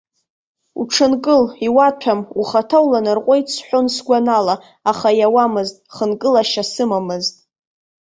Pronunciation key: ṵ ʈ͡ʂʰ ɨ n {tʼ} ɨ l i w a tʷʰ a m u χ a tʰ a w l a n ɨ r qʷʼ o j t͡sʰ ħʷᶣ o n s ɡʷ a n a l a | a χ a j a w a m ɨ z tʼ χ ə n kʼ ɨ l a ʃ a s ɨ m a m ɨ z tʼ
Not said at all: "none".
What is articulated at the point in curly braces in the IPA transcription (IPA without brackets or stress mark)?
kʼ